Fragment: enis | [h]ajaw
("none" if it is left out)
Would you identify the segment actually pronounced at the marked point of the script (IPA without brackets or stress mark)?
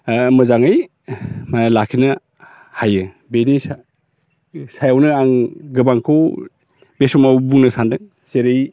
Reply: s